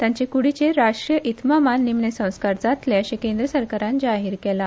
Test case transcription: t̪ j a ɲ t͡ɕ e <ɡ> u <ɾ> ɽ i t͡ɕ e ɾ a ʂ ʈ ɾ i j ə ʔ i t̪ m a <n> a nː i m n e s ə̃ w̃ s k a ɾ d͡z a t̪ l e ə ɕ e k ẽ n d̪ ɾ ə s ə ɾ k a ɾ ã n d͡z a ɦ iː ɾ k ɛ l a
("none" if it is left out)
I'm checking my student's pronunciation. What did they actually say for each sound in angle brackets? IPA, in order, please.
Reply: k, none, m

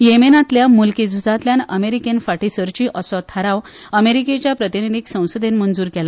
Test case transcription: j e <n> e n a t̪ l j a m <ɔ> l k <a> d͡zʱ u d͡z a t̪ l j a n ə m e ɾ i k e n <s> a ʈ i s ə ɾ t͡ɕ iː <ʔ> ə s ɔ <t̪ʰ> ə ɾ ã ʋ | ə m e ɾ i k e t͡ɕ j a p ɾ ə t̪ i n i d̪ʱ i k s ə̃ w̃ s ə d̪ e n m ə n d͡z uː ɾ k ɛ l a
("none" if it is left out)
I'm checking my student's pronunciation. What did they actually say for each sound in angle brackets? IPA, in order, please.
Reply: m, u, i, f, ʔ, t̪ʰ

